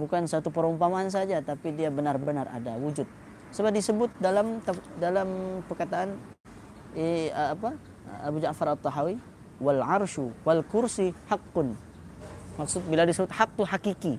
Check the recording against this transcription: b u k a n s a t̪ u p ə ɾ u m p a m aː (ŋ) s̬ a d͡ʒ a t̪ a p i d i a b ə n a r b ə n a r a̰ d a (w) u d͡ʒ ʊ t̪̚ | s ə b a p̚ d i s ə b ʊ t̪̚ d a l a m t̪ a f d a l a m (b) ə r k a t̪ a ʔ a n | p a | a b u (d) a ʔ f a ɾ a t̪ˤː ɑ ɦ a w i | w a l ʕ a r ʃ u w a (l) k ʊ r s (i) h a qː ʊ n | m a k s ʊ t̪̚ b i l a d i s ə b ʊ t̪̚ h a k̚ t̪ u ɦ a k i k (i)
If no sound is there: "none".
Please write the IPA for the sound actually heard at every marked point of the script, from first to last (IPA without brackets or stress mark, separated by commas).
n, w, p, d͡ʒ, l, i, i